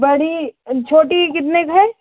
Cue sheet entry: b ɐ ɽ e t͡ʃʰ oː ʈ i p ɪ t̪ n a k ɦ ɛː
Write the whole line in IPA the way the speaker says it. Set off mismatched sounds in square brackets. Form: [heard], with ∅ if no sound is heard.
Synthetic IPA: b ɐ ɽ [i] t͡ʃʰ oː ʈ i [k] ɪ t̪ n [e] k ɦ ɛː